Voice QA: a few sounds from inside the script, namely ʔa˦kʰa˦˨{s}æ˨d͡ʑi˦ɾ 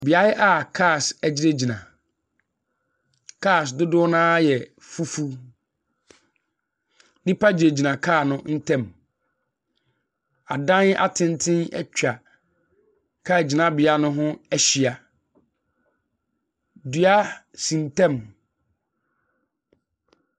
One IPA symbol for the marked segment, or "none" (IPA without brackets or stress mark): s